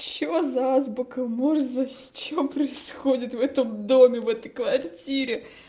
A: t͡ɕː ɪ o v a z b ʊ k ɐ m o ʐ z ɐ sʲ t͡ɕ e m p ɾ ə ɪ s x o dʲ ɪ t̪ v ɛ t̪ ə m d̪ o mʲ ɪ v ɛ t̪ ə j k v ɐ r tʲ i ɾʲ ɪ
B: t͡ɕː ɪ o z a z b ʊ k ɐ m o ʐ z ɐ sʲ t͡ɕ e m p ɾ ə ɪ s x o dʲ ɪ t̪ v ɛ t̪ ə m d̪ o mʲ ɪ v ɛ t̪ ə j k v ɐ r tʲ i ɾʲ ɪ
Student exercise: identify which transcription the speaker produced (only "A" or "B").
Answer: B